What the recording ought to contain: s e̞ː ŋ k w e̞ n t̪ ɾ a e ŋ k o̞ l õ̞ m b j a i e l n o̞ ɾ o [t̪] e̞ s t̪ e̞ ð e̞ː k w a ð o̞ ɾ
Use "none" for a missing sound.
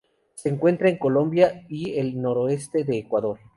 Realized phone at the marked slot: none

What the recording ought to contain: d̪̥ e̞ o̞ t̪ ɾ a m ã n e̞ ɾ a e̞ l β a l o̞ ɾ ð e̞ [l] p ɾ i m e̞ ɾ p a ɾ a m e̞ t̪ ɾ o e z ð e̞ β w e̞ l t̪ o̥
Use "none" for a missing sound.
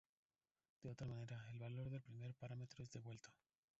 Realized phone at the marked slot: l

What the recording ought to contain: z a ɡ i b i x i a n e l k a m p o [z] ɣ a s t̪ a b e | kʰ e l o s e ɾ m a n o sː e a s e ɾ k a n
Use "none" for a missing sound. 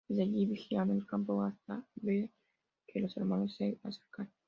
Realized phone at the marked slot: none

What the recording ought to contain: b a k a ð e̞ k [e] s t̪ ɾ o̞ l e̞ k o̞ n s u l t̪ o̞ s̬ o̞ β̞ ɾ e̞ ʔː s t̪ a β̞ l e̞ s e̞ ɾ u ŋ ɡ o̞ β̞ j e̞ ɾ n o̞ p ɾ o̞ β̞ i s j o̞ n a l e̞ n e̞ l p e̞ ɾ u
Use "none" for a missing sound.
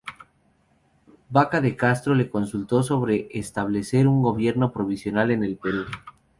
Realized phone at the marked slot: a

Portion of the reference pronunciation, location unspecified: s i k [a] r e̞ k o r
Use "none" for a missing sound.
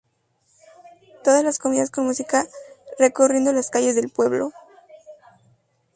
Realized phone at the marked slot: a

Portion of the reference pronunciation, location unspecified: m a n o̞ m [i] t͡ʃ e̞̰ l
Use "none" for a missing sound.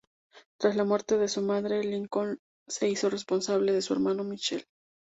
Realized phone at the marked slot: i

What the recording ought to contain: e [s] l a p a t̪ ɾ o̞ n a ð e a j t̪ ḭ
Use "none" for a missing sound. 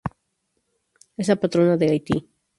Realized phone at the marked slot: s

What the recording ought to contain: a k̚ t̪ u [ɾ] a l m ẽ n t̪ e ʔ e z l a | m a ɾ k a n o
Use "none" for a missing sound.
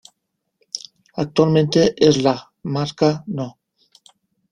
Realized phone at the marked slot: none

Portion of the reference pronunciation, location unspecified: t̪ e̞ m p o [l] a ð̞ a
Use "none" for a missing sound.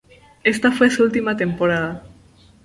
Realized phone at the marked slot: ɾ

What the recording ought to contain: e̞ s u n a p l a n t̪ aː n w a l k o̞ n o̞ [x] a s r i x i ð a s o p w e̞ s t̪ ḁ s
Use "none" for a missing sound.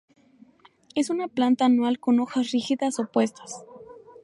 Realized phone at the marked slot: x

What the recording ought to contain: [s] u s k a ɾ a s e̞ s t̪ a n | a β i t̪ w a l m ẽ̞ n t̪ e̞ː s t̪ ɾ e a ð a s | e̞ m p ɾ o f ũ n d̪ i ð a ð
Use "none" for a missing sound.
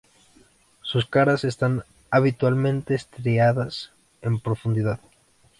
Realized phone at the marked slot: s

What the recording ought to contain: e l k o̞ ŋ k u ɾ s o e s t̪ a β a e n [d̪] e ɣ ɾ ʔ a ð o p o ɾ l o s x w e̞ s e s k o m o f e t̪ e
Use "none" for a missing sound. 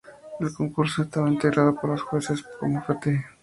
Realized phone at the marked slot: t̪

